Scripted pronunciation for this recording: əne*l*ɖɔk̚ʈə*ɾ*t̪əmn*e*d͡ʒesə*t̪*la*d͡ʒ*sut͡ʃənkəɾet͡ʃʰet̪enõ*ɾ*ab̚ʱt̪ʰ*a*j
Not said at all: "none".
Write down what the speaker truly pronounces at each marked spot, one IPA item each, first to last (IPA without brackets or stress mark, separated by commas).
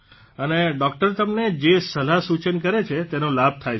none, ɾ, e, none, none, l, a